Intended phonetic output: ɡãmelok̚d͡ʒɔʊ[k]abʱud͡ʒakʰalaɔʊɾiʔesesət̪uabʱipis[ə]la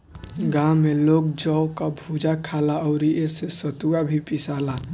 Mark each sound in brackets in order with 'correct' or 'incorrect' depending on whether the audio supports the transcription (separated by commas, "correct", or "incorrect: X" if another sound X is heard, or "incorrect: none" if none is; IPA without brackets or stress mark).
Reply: correct, incorrect: a